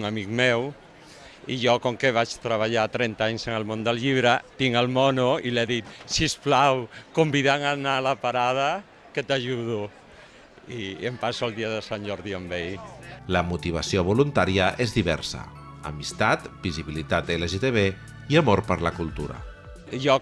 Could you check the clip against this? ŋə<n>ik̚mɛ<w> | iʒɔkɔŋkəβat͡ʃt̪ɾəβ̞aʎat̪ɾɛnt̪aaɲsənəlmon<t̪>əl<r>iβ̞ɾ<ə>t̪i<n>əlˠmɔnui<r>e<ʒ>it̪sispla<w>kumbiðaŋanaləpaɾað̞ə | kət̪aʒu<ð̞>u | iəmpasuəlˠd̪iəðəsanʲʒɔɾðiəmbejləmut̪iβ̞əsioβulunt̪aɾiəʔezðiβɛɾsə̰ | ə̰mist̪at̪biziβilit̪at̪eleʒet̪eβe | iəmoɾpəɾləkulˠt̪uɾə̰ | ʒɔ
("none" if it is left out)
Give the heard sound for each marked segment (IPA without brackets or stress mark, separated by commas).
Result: m, w, d̪, ʎ, ə, ŋ, l, ð, w, ð̞